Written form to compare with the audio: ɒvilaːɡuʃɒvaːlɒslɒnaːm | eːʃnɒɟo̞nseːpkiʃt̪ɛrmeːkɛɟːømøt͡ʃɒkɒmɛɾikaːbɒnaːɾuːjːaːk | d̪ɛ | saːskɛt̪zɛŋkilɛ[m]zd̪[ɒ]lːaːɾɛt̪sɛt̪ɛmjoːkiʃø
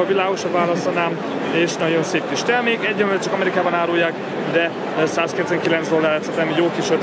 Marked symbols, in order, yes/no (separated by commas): no, no